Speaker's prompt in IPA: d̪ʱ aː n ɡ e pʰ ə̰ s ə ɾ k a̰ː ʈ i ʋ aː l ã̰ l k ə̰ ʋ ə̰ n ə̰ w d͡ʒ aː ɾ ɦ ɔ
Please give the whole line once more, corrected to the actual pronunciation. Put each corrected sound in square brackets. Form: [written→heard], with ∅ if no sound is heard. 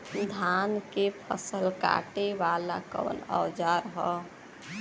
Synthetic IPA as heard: d̪ʱ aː n [ɡ→k] e pʰ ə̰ s ə [ɾ→l] k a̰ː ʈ [i→e] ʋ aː l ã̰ [l→∅] k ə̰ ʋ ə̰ n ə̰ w d͡ʒ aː ɾ ɦ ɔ